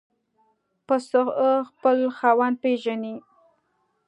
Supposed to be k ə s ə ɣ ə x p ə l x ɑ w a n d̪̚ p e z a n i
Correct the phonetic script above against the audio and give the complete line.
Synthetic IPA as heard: p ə s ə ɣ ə x p ə l x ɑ w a n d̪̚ p e ʒ a n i